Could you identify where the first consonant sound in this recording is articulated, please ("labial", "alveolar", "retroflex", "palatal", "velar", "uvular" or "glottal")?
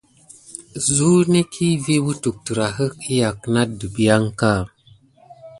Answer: alveolar